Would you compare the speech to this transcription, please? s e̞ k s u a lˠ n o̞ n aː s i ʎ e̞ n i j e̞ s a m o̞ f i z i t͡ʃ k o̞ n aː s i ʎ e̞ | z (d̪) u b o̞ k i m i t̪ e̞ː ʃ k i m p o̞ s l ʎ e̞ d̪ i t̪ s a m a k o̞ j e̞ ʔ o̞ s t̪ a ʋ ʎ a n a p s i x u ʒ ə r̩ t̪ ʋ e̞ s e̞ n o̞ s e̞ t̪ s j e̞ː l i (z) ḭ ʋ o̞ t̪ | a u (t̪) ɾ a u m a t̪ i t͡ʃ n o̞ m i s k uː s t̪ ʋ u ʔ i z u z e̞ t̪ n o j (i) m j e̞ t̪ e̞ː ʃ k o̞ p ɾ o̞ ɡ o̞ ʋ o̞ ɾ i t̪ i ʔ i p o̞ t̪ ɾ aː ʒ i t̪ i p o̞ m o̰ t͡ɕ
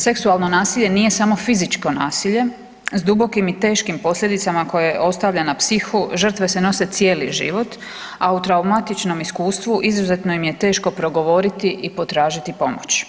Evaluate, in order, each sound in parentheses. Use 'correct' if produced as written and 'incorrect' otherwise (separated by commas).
correct, incorrect, correct, correct